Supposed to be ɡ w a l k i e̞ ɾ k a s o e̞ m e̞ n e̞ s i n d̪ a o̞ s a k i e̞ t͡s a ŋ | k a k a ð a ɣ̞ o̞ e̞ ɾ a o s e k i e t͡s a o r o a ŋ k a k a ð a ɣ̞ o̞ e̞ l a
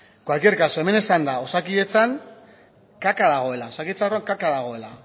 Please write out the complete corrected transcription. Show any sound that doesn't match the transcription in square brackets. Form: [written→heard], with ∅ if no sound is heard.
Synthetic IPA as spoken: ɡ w a l k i e̞ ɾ k a s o e̞ m e̞ n e̞ s [i→a] n d̪ a o̞ s a k i e̞ t͡s a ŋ | k a k a ð a ɣ̞ o̞ e̞ [ɾ→l] a o s [e→a] k i e t͡s a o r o a ŋ k a k a ð a ɣ̞ o̞ e̞ l a